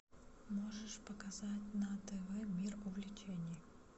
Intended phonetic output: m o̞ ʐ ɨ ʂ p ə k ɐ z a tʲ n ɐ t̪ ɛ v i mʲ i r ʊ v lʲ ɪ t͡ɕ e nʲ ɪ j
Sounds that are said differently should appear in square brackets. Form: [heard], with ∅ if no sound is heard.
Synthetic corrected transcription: m o̞ ʐ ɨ ʂ p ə k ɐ z a tʲ n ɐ t̪ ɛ v [ɛ] mʲ i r ʊ v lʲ ɪ t͡ɕ e nʲ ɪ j